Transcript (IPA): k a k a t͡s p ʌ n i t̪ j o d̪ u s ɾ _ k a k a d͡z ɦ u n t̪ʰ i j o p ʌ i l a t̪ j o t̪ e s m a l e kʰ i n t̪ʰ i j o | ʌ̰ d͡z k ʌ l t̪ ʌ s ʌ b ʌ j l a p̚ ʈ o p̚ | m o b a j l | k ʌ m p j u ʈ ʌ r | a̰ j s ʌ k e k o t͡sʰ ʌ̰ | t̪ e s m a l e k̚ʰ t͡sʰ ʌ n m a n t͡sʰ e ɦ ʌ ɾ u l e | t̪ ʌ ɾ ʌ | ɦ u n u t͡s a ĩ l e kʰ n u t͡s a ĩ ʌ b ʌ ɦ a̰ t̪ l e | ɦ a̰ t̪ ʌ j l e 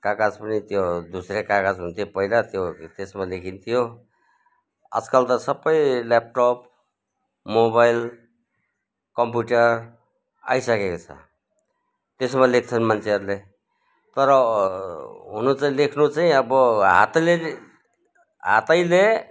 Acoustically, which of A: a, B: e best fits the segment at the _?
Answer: B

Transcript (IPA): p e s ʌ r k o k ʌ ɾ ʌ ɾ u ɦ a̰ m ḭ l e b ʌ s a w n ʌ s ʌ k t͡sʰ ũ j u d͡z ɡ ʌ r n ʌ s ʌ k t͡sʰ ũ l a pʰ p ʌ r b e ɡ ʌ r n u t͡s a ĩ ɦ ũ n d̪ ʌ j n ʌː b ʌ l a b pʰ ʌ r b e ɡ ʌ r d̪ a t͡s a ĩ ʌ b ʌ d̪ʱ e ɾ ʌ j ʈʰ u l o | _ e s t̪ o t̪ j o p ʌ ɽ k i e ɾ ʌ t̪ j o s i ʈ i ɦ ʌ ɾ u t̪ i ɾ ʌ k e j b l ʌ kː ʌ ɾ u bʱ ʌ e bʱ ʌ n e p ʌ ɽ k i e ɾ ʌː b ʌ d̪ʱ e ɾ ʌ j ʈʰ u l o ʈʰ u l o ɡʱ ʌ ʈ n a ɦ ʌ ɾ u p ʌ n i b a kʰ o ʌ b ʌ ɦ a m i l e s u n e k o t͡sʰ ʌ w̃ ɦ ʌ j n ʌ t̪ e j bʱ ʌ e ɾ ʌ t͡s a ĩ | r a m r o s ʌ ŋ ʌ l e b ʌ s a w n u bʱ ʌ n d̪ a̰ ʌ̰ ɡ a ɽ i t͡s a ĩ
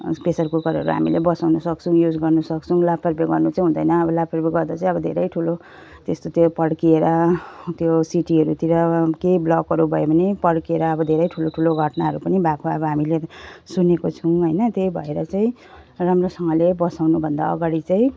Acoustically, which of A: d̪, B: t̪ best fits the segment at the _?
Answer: B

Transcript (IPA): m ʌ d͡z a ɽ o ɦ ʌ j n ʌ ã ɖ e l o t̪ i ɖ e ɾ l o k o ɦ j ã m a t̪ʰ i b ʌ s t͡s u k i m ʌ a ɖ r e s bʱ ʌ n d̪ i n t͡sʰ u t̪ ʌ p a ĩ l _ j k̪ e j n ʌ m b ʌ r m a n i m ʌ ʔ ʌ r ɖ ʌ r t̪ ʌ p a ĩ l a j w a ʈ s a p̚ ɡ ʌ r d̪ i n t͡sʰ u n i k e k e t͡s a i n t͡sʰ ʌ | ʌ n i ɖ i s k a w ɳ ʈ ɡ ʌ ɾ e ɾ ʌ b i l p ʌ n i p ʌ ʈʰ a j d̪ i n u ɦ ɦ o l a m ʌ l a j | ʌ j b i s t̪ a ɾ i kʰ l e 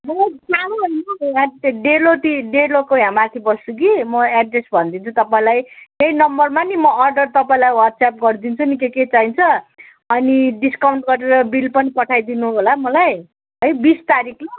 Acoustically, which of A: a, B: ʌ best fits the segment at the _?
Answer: A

